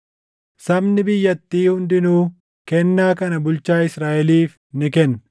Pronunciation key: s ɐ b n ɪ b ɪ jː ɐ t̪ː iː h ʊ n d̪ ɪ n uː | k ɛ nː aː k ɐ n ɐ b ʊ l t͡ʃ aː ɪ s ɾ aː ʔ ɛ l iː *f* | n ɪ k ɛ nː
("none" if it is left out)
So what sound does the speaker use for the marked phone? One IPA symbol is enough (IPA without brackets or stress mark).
f